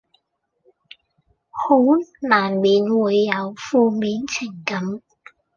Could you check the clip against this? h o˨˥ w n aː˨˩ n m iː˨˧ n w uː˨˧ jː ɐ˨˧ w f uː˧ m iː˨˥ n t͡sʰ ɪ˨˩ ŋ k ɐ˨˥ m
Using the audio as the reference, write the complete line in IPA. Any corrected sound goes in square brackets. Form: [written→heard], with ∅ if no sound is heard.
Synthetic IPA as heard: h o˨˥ w n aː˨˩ n m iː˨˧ n w uː˨˧ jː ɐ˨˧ w f uː˧ m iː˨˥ n t͡sʰ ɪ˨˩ ŋ k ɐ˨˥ m